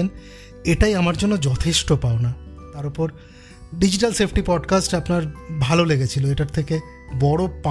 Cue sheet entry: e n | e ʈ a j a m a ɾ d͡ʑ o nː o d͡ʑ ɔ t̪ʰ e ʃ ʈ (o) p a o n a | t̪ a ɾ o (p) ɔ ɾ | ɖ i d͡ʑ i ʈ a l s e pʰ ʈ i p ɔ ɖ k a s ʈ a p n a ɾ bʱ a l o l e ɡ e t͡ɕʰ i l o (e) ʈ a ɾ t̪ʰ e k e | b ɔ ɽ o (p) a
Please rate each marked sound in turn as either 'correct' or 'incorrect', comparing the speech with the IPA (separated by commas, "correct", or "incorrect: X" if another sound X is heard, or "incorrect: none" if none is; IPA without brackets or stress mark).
correct, correct, correct, correct